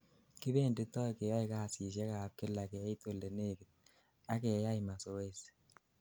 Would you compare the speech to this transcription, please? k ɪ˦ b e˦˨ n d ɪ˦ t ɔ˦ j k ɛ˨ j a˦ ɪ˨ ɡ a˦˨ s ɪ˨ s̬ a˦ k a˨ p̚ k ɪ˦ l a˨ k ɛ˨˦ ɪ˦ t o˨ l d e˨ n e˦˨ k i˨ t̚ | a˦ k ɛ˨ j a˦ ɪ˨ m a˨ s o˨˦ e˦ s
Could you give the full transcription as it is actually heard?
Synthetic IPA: k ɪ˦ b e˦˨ n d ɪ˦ t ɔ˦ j k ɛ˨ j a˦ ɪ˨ k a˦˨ s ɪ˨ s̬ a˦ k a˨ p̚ k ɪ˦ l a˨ k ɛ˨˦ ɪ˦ t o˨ l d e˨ n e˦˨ k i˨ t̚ | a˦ k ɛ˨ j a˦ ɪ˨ m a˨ s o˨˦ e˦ s